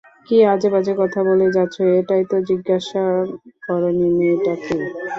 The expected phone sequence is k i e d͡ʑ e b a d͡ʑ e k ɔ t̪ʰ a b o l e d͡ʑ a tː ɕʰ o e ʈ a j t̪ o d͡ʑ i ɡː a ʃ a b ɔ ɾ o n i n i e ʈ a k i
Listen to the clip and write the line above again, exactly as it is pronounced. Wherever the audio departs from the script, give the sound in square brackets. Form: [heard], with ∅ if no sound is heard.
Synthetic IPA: k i [a] d͡ʑ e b a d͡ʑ e k ɔ t̪ʰ a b o l e d͡ʑ a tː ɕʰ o e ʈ a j t̪ o d͡ʑ i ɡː a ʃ a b ɔ ɾ o n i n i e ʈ a k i